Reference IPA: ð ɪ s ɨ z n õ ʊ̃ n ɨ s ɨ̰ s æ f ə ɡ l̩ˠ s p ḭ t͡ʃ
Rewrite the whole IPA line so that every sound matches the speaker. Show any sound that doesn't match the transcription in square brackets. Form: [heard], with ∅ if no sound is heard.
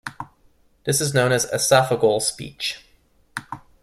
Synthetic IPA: ð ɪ s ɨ z n õ ʊ̃ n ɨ [z] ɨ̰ s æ f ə ɡ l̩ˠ s p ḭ t͡ʃ